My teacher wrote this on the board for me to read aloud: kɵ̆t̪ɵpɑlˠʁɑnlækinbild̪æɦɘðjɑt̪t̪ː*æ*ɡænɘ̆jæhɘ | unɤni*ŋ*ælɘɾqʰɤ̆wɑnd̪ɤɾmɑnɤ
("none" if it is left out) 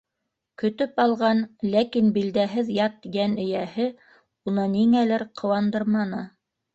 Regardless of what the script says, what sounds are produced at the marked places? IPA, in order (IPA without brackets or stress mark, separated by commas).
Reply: i, ŋ